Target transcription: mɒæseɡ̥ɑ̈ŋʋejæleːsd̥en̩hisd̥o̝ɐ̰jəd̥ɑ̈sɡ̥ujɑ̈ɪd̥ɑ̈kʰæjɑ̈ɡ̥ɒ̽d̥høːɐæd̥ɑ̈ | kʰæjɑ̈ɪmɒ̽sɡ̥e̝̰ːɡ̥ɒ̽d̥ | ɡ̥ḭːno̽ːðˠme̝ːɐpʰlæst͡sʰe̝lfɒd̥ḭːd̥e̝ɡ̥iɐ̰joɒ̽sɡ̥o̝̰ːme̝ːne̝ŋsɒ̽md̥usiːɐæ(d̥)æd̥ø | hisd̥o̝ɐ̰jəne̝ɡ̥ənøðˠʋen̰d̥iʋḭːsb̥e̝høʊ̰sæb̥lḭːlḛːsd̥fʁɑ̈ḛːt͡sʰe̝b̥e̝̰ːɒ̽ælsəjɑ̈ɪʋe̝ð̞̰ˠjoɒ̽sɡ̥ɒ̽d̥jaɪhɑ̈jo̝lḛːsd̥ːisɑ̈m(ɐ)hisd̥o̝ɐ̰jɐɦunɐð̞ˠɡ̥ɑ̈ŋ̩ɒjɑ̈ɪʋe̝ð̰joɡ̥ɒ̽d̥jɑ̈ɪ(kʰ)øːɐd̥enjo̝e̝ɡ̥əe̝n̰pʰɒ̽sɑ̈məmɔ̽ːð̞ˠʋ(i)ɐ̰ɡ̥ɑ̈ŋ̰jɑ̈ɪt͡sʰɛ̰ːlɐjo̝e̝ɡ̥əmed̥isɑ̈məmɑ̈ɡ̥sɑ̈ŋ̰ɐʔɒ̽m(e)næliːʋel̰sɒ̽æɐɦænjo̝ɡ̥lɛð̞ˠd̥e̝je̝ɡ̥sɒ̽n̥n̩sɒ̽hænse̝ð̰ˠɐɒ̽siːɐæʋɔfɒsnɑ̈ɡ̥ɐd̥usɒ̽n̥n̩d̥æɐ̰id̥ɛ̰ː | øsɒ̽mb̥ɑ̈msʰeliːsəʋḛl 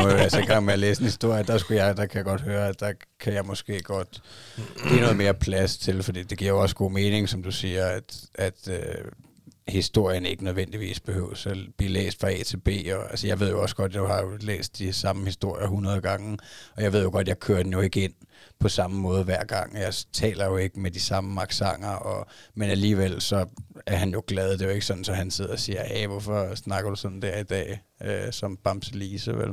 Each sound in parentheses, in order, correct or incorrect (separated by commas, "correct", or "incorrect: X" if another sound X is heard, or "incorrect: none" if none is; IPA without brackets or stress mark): correct, incorrect: ə, correct, incorrect: æ, correct